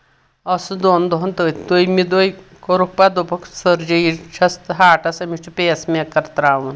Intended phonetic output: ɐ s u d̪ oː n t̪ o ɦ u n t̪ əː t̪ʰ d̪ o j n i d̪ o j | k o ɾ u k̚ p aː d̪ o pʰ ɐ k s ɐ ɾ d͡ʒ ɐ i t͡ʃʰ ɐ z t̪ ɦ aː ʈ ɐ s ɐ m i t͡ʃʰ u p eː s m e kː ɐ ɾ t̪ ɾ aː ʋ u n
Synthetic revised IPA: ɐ s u d̪ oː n d̪ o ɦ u n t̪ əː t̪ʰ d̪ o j m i d̪ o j | k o ɾ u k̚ p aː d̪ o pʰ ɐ k s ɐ ɾ d͡ʒ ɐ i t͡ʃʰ ɐ s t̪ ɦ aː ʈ ɐ s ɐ m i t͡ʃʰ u p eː s m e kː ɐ ɾ t̪ ɾ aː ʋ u n